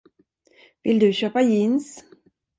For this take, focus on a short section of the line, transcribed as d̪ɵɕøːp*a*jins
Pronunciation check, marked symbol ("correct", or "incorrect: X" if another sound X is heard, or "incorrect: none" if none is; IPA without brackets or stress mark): correct